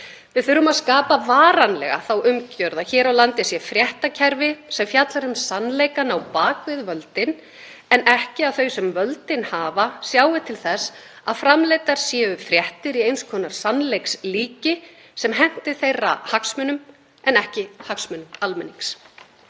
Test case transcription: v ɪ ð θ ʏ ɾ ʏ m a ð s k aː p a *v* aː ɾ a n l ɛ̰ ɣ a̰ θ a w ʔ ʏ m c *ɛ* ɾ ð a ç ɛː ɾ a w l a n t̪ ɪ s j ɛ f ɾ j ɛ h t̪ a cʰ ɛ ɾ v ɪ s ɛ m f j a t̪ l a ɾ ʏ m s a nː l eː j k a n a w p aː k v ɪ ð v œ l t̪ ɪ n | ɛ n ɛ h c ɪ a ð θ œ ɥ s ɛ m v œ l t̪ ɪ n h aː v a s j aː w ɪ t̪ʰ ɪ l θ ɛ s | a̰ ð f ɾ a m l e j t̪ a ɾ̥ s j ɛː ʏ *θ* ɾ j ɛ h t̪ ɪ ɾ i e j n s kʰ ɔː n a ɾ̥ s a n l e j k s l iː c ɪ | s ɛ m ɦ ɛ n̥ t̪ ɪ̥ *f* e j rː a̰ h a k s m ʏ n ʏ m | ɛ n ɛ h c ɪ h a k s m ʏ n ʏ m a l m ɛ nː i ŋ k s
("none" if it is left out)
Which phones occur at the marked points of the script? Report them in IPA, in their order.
v, œ, f, θ

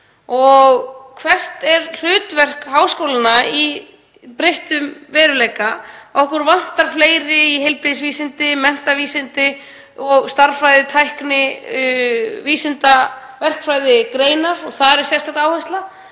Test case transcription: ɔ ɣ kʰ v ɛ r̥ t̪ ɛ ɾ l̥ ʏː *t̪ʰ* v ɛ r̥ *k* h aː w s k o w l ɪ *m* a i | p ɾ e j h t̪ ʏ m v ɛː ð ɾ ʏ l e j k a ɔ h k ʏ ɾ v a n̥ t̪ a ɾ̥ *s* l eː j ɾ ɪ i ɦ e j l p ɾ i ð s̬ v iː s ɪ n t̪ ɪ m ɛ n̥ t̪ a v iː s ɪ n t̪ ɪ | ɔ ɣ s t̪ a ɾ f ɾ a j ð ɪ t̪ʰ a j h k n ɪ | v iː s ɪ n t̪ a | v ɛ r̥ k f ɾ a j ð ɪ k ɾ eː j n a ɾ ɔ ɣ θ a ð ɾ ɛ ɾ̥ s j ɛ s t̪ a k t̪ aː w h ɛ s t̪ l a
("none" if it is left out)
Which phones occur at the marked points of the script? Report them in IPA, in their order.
t̪, k, n, f

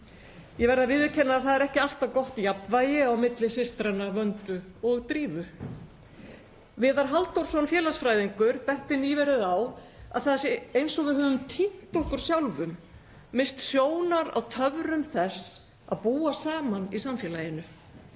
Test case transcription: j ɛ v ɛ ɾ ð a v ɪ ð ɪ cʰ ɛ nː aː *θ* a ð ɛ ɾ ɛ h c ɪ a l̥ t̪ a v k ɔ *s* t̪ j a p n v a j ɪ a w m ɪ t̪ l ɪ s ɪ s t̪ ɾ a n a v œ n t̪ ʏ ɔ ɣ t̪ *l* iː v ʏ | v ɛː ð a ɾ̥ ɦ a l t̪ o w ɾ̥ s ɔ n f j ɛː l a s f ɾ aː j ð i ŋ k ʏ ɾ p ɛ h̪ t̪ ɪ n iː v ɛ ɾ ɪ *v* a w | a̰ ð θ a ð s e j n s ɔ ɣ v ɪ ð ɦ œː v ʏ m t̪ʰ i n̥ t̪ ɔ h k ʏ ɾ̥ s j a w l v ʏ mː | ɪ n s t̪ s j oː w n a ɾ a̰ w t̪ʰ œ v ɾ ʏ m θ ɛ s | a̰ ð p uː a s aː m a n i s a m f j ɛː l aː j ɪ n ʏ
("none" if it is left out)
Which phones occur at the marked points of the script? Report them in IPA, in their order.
θ, h, ɾ, ð

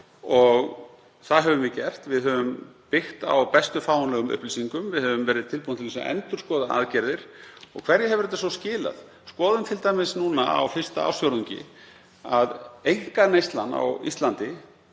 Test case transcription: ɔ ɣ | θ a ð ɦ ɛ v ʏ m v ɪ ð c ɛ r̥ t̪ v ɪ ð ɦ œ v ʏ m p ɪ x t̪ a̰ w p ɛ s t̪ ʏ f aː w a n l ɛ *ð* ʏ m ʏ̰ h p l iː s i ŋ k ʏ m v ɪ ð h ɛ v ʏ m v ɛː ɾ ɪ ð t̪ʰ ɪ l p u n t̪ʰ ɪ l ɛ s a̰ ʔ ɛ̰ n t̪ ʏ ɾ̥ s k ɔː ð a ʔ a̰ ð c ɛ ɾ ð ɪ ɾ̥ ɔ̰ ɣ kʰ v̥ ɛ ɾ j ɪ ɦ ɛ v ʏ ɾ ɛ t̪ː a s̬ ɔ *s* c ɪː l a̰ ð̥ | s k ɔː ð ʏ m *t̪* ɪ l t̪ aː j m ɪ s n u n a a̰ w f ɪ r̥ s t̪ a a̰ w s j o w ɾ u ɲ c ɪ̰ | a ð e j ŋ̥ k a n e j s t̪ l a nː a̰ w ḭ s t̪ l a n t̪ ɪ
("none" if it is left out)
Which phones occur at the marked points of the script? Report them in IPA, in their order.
ɣ, s, t̪ʰ

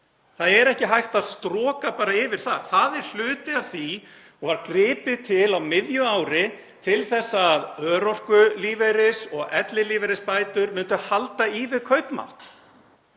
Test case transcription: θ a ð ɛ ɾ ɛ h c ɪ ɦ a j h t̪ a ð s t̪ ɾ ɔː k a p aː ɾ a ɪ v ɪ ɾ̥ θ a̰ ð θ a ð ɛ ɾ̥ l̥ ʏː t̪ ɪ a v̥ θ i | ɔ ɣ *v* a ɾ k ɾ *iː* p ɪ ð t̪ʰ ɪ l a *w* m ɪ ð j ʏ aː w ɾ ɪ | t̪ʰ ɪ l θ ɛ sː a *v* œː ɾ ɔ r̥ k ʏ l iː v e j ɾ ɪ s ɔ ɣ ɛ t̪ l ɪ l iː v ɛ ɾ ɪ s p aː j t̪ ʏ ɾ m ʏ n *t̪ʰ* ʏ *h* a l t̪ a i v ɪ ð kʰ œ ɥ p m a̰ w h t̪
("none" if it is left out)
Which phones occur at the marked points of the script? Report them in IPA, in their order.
v, ɪː, w, ð, t̪, h

